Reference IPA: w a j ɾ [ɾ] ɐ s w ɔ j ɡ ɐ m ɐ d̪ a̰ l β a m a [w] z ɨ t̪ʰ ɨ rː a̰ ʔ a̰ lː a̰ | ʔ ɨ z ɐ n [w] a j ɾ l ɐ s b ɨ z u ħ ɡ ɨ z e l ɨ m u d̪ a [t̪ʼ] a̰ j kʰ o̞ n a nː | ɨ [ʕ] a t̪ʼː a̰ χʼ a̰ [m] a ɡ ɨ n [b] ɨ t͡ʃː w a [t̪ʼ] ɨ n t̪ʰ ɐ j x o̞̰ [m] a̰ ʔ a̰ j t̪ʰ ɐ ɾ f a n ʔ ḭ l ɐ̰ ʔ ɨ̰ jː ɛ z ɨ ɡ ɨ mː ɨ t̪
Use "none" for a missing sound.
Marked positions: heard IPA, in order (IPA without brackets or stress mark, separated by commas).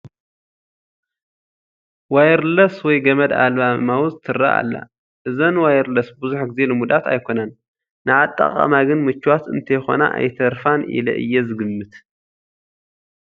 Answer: l, w, w, t̪, ʕ, m, m, t̪, n